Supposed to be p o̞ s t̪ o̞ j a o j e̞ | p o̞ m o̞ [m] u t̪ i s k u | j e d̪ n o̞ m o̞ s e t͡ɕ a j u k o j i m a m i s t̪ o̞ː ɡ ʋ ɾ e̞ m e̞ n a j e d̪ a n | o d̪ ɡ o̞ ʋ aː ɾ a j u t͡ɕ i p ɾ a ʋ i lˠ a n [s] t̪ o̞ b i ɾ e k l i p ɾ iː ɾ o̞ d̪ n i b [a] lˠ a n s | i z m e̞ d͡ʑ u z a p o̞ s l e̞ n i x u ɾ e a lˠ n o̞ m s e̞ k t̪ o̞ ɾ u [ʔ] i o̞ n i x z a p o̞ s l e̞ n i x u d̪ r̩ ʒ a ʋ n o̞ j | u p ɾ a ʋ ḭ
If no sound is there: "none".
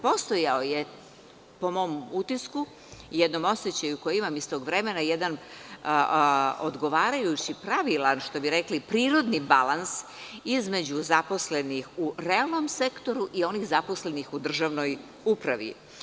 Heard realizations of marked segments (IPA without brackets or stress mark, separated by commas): m, ʃ, a, ʔ